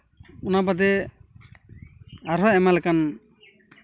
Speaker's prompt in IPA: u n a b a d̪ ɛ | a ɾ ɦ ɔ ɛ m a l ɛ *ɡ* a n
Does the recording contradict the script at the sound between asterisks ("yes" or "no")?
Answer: yes